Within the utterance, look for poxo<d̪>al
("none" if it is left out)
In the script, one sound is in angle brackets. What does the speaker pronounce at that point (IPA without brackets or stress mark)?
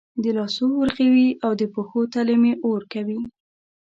t̪